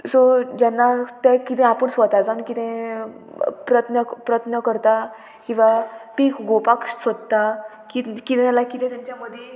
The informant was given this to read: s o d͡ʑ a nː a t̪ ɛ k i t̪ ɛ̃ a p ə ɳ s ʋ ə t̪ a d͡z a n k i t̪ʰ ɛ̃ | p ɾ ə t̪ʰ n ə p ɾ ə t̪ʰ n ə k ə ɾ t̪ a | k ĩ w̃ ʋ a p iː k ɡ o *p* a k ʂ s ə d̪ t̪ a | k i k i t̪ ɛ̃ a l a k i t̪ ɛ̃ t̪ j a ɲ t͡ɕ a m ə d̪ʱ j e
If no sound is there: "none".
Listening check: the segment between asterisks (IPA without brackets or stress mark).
p